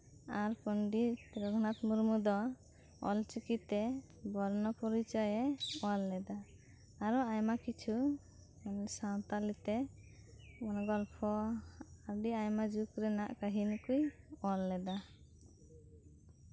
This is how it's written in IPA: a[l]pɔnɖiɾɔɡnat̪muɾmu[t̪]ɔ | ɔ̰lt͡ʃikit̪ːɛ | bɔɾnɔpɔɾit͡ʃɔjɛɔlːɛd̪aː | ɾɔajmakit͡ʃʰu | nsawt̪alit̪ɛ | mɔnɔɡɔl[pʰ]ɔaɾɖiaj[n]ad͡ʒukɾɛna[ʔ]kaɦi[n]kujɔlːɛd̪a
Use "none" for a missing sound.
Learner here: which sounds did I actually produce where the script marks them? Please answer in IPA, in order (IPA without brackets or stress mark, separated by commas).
ɾ, d̪, pʰ, m, ʔ, n